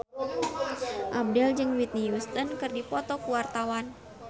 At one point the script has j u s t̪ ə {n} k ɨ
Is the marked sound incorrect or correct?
correct